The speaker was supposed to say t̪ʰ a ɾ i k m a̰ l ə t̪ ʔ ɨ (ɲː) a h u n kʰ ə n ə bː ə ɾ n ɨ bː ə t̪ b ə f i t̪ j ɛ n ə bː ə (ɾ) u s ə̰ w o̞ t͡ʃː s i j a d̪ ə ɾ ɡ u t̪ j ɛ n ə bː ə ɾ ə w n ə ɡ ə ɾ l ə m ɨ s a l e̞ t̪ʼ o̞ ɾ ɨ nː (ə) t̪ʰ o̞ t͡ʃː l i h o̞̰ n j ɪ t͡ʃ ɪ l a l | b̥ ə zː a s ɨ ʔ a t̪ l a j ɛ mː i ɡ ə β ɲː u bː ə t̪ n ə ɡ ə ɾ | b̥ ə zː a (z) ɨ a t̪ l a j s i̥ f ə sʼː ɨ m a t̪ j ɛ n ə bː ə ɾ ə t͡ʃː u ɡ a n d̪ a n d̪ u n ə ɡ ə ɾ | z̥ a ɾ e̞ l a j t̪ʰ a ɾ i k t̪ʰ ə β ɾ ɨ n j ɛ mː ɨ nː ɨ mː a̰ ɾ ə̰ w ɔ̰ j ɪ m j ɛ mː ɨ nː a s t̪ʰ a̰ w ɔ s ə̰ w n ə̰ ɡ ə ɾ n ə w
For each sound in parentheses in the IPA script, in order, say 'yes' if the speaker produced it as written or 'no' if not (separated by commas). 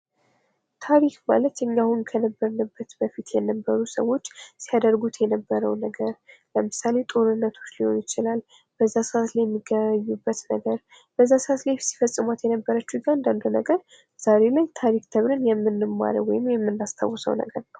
yes, yes, yes, no